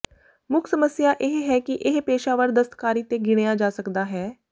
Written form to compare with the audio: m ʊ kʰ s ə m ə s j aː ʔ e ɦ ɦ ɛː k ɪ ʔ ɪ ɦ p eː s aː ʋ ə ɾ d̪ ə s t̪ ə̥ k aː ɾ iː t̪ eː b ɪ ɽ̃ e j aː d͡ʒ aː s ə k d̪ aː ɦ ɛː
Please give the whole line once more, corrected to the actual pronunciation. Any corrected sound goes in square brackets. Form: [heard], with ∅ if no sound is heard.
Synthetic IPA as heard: m ʊ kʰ s ə m ə s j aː ʔ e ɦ ɦ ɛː k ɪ ʔ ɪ ɦ p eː [ʃ] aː ʋ ə ɾ d̪ ə s t̪ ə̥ k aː ɾ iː t̪ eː [ɡ] ɪ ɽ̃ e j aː d͡ʒ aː s ə k d̪ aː ɦ ɛː